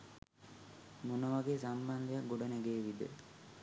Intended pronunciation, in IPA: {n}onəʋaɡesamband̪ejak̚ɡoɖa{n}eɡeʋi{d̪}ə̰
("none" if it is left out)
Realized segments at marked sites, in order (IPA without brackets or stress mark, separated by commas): m, n, d̪